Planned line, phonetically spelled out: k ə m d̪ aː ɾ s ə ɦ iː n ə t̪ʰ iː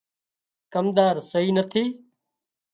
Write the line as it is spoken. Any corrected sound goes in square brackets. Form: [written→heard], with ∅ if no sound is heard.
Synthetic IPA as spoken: k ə m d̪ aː ɾ s ə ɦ iː n ə t̪ʰ iː